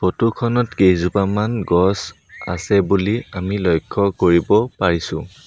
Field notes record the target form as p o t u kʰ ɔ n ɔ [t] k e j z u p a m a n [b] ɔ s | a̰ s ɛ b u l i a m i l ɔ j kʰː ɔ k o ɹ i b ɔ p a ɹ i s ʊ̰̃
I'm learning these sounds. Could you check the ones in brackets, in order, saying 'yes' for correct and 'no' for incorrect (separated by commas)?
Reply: yes, no